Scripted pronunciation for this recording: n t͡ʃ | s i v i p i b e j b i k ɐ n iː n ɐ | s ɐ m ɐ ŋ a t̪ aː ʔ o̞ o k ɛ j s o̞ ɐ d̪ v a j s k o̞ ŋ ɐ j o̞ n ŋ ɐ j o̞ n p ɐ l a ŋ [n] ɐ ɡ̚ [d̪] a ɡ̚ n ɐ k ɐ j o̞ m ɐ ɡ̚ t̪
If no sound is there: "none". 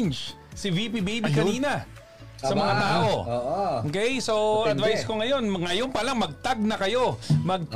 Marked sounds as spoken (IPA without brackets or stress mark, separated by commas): m, t̪